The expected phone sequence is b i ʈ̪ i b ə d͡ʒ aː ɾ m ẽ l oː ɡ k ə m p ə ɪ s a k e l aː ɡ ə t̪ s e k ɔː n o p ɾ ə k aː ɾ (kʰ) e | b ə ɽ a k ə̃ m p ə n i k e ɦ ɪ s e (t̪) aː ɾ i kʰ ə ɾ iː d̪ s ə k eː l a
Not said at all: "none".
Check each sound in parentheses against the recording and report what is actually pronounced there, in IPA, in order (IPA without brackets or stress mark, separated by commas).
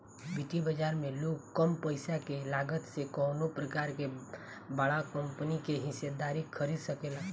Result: k, d̪